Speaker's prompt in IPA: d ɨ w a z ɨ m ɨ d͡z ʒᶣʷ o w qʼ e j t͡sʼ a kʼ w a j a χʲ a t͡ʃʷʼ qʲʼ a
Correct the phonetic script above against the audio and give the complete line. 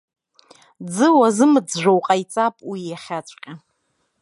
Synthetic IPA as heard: d͡z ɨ w a z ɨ m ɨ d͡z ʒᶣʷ o w qʼ a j t͡sʼ a pʼ w i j a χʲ a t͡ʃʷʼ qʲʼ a